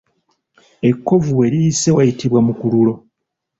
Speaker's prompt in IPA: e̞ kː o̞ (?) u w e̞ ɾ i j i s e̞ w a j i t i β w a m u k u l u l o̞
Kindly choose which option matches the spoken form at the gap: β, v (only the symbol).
v